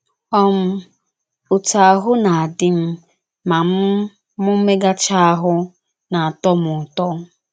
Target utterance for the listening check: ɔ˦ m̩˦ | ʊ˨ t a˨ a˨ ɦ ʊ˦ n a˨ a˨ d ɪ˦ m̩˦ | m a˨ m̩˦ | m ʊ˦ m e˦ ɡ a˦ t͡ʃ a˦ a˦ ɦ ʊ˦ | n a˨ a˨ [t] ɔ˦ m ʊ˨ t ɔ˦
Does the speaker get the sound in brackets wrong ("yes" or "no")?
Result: no